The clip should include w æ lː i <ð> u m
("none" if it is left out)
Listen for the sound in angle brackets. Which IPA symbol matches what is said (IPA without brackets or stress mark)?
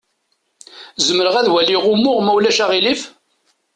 ʁ